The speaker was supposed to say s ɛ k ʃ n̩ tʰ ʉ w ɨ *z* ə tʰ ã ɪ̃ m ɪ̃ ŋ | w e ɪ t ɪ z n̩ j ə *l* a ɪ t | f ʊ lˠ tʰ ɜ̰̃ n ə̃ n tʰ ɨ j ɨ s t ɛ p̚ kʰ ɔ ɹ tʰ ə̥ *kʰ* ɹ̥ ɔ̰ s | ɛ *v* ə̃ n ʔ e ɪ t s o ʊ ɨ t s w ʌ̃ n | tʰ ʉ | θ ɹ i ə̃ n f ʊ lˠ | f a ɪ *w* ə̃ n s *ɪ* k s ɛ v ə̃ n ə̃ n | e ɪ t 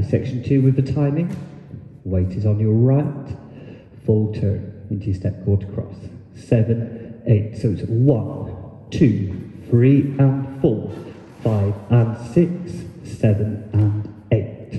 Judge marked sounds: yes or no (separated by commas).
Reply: no, no, yes, yes, no, yes